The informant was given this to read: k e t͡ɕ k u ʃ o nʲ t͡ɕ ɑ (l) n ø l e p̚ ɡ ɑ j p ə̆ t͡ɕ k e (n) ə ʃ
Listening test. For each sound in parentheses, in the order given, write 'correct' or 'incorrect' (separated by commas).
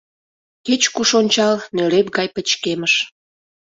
correct, incorrect